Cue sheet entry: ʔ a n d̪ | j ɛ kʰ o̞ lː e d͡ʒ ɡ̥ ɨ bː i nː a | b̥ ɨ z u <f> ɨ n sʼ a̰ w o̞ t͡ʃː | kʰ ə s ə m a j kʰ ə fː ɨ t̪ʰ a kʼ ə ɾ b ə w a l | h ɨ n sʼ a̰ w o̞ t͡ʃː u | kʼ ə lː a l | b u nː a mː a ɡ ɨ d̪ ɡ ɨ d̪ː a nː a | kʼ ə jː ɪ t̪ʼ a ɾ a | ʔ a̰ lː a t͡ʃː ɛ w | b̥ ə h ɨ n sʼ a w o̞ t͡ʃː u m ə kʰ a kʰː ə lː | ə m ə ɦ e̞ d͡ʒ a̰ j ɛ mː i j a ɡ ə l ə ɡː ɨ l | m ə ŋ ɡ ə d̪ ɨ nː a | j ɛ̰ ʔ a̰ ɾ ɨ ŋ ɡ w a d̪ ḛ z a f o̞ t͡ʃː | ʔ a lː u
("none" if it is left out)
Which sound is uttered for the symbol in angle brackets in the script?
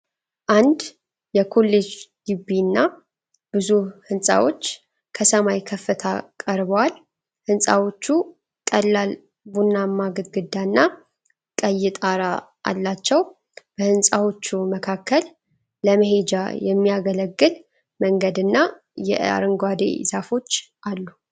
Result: h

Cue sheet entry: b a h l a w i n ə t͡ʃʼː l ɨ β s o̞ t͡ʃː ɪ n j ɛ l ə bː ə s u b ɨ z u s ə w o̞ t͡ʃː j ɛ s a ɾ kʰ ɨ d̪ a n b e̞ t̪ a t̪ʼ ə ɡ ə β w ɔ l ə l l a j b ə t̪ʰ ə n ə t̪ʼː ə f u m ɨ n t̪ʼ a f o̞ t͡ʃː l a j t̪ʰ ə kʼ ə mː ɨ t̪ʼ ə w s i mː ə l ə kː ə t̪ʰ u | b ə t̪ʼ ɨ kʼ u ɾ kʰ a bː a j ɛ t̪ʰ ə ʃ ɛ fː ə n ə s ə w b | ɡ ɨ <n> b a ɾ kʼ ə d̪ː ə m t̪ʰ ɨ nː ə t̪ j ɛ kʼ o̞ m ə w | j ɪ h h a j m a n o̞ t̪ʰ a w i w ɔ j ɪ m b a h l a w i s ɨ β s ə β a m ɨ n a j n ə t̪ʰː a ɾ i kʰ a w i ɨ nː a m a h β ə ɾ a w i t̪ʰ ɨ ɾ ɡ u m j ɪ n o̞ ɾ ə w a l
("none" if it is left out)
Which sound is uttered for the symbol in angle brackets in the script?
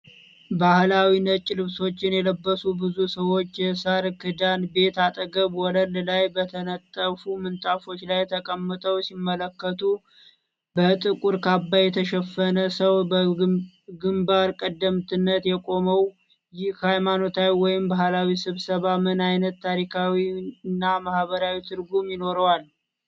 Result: m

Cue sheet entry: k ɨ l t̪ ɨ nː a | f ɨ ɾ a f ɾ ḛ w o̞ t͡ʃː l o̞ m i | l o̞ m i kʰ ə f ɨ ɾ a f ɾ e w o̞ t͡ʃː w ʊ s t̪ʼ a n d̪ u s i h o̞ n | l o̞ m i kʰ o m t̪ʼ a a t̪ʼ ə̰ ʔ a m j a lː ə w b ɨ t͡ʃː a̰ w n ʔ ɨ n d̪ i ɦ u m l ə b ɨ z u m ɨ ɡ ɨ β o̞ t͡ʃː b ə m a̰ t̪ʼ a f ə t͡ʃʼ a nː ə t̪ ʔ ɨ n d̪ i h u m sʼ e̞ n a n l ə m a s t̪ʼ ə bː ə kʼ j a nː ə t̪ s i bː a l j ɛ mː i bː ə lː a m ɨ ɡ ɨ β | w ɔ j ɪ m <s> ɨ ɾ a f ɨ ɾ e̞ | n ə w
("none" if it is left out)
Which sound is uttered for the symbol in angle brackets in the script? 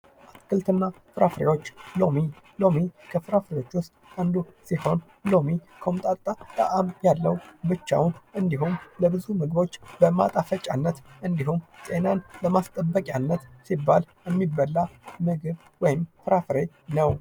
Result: f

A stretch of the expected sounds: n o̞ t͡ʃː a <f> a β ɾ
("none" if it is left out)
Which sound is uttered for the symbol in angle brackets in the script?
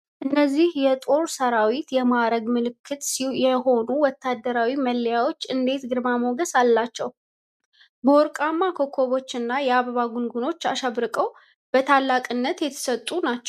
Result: ʃ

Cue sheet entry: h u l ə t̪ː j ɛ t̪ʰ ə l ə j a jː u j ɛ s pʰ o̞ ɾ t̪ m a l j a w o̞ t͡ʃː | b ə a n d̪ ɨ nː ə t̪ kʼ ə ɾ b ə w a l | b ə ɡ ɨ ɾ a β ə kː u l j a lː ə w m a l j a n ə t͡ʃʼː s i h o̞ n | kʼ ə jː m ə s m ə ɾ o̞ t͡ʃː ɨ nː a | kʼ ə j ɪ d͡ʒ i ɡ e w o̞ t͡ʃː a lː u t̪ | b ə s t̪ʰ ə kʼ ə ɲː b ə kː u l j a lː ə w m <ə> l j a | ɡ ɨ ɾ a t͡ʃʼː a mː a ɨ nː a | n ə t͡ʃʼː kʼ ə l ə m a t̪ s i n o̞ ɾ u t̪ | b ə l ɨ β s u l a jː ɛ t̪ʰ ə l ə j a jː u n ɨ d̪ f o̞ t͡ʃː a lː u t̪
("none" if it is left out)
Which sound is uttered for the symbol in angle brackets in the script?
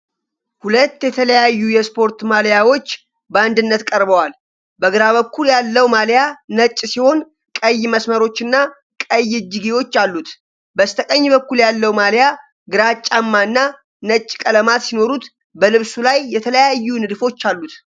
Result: a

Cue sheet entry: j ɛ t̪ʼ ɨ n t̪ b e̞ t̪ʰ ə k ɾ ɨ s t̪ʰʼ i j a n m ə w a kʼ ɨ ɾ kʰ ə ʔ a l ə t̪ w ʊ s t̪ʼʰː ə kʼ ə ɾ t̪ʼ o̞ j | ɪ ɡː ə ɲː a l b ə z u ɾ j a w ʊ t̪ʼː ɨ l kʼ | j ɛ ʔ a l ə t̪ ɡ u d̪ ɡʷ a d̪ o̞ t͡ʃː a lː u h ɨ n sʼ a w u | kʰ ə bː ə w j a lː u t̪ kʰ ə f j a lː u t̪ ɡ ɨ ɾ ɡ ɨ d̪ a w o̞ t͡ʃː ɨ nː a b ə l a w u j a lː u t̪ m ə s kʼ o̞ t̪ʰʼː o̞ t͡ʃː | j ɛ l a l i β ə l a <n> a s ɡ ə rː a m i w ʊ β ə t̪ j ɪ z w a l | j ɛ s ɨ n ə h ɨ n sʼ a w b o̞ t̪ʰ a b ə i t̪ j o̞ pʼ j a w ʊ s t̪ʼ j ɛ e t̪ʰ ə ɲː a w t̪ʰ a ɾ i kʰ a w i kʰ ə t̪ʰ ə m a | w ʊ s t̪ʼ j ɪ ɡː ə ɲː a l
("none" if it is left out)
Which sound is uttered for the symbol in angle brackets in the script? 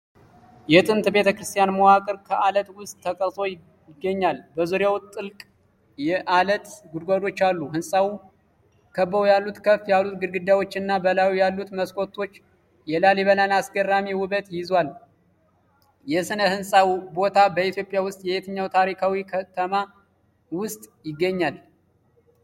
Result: n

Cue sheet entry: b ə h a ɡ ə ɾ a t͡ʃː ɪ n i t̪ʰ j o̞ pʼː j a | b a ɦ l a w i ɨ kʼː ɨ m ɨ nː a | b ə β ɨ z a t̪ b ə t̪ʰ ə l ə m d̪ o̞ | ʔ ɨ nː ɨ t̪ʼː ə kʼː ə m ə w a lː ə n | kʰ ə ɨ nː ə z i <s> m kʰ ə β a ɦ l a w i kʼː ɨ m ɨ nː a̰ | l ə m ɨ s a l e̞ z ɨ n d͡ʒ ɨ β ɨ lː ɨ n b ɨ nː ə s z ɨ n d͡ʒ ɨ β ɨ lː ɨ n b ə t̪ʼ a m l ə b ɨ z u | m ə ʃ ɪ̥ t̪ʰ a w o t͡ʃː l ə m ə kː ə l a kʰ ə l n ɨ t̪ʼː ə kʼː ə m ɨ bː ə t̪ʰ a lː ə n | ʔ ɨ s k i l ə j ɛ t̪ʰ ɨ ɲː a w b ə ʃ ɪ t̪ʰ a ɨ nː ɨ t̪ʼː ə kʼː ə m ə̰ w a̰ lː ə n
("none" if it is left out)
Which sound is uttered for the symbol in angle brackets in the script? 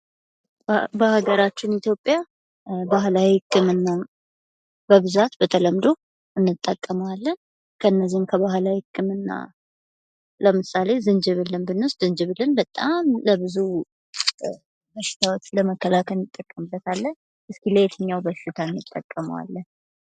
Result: h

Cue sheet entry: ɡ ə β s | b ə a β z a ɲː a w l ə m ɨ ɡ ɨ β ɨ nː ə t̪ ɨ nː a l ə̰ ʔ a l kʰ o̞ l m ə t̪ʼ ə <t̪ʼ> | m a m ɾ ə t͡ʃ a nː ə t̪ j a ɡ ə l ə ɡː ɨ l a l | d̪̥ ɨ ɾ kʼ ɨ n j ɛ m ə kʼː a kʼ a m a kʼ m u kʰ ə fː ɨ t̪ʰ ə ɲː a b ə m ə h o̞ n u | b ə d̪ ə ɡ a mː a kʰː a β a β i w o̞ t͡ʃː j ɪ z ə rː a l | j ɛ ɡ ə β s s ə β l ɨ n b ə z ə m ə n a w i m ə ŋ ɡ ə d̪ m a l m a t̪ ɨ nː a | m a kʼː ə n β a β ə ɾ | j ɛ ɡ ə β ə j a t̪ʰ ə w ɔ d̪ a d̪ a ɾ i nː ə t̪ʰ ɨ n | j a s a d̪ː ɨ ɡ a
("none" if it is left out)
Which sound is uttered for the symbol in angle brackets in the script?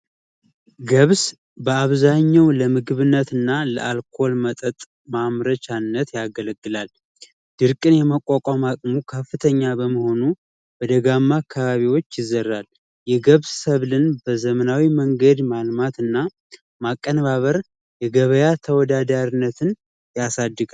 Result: t̪ʼ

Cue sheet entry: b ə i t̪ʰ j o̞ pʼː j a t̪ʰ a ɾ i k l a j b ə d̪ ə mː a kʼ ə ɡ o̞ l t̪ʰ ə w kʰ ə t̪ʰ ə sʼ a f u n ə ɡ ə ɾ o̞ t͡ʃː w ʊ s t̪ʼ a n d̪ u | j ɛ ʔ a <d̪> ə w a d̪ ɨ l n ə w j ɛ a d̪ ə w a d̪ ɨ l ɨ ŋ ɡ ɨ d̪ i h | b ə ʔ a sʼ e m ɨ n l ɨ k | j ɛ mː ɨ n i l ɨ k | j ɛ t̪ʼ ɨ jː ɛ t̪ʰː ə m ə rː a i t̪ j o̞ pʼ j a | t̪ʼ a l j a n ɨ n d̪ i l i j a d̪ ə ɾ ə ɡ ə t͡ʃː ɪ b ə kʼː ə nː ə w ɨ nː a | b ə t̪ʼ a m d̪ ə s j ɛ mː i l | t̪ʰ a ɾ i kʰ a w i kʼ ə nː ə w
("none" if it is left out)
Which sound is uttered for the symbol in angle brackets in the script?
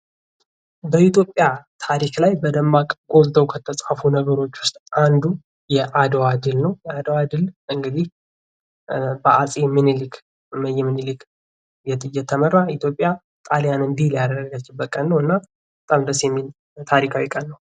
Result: d̪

